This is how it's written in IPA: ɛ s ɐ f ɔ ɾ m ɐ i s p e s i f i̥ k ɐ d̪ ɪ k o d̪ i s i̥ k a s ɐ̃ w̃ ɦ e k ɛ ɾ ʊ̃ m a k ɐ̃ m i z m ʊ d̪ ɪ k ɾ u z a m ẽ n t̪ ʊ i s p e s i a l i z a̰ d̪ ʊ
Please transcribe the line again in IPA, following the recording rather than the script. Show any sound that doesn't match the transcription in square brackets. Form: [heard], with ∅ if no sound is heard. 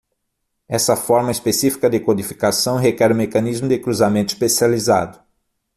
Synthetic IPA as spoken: ɛ s ɐ f ɔ ɾ m ɐ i s p e s i f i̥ k ɐ d̪ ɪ k o d̪ i [f] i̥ k a s ɐ̃ w̃ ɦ e k ɛ ɾ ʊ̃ m [e] k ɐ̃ [n] i z m ʊ d̪ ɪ k ɾ u z a m ẽ n t̪ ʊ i s p e s i a l i z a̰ d̪ ʊ